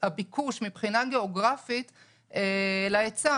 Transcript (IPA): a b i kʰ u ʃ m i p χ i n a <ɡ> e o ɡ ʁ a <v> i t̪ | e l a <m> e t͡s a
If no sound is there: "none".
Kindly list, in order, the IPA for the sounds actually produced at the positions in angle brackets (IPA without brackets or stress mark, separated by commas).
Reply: ɡ, f, none